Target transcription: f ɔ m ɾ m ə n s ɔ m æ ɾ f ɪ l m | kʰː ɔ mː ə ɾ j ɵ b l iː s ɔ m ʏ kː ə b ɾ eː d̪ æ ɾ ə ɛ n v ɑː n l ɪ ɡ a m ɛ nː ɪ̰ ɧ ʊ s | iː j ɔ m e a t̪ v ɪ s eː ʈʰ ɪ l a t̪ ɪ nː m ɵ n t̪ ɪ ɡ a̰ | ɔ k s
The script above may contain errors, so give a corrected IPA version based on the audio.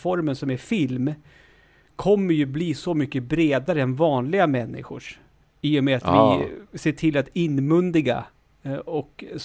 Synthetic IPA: f ɔ ɾ m ə n s ɔ m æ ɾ f ɪ l m | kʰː ɔ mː ə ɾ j ɵ b l iː s ɔ m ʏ kː ə b ɾ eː d̪ a ɾ ə ɛ n v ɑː n l ɪ ɡ a m ɛ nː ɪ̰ ɧ ʊ ʂ | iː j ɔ m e a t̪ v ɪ s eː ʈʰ ɪ l a t̪ ɪ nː m ɵ n d̪ ɪ ɡ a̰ | ɔ k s